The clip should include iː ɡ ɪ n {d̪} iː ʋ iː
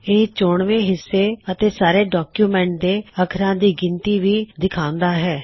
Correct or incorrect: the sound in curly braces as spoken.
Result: incorrect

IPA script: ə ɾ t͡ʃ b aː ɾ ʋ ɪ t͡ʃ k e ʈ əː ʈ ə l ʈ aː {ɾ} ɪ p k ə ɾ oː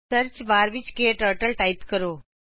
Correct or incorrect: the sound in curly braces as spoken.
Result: incorrect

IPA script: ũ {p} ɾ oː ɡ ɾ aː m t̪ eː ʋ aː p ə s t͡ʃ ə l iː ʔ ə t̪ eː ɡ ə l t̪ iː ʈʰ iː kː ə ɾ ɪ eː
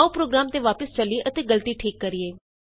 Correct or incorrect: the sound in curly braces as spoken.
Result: correct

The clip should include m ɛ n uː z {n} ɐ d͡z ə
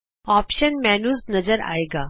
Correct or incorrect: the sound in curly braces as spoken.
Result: correct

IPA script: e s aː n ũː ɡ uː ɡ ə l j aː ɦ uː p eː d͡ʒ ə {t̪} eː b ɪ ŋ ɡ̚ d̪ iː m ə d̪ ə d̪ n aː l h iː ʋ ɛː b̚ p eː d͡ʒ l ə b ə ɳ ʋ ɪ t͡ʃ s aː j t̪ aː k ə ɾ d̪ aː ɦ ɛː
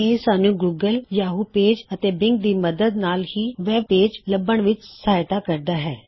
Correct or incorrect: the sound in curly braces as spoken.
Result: correct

